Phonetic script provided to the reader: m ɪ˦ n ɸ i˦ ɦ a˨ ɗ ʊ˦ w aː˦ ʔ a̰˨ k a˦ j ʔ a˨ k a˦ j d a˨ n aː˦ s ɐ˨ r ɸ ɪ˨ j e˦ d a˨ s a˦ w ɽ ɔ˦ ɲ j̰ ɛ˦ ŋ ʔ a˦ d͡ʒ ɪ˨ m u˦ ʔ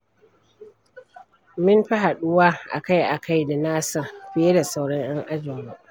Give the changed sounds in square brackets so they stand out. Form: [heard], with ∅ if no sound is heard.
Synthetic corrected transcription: m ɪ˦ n ɸ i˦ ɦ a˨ ɗ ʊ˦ w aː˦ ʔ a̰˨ k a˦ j ʔ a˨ k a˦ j d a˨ n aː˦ s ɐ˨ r ɸ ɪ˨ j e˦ d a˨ s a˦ w ɽ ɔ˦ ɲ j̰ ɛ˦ ŋ ʔ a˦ d͡ʒ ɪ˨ m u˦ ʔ